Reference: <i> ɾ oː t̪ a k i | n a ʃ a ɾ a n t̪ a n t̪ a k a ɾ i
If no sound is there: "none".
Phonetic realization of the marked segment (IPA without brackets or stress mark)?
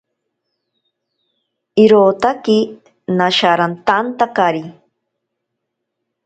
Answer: i